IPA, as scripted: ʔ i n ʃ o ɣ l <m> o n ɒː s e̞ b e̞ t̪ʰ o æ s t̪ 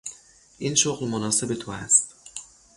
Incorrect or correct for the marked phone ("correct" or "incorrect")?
correct